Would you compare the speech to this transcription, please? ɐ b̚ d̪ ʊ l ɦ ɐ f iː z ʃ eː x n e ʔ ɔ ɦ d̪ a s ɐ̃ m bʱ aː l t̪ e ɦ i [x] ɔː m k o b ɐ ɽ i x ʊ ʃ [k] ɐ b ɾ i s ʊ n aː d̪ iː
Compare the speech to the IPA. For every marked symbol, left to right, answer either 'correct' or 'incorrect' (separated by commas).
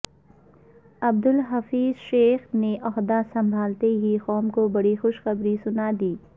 correct, incorrect